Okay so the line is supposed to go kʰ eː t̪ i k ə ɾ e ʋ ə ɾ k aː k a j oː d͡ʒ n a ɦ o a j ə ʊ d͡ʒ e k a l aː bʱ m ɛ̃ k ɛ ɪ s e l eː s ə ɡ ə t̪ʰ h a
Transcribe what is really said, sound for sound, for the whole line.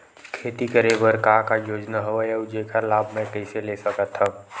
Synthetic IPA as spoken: kʰ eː t̪ i k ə ɾ e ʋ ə ɾ k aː k a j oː d͡ʒ n a ɦ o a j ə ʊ d͡ʒ e k a l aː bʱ m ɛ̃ k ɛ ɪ s e l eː s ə k ə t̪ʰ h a